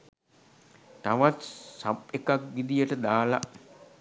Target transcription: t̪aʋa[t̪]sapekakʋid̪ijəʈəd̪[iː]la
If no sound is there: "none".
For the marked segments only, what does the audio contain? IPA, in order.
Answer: t̪, aː

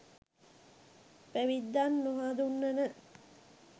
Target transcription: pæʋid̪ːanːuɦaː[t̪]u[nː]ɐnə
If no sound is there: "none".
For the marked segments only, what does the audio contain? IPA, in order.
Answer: d̪, nː

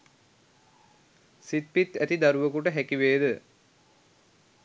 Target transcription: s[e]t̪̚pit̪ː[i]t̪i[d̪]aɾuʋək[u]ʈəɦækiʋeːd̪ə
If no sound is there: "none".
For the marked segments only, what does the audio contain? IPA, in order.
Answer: i, æ, d̪, u

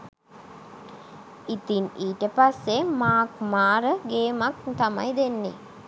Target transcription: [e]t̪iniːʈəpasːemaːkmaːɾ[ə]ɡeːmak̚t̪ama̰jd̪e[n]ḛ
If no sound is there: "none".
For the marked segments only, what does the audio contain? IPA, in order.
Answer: i, ə, nː

